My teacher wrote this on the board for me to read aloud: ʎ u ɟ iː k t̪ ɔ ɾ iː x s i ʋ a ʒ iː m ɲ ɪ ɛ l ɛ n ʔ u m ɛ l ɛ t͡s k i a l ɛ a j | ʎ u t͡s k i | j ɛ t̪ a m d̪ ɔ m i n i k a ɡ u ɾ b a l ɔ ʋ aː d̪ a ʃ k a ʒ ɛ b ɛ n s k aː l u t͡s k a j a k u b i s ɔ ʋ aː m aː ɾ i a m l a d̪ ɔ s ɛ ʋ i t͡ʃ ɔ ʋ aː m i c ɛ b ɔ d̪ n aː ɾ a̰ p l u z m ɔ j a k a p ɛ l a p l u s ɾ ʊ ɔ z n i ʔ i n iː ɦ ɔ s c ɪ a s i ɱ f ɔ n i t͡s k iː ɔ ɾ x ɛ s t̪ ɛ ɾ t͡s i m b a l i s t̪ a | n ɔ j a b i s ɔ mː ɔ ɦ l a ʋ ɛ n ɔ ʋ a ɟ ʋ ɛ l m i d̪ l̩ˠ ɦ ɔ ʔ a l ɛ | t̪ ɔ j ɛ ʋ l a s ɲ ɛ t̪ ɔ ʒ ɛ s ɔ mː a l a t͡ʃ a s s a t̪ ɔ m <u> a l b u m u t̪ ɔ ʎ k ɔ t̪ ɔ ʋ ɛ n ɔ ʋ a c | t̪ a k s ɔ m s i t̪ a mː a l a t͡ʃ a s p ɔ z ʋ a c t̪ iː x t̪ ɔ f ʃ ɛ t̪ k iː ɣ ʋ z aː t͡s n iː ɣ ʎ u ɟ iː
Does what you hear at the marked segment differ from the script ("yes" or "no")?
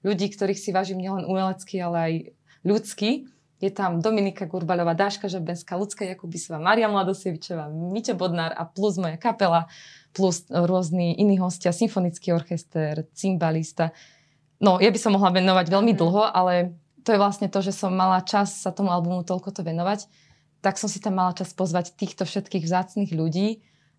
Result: no